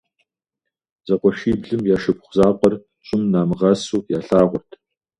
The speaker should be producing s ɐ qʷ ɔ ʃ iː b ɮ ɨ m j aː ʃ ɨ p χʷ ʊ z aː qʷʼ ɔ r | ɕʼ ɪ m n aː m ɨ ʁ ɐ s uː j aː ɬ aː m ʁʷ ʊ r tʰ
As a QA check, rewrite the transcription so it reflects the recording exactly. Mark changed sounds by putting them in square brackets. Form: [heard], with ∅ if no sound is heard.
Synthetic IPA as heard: [z] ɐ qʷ ɔ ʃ iː b ɮ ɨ m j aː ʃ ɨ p χʷ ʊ z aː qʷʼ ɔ r | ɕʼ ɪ m n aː m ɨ ʁ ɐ s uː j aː ɬ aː [∅] ʁʷ ʊ r tʰ